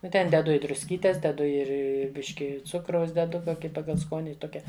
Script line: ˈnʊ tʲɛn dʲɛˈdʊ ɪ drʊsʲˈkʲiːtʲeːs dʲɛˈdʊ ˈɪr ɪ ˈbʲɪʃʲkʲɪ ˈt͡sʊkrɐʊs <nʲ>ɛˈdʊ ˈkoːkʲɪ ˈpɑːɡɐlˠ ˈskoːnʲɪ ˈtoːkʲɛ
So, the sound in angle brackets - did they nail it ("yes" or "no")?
no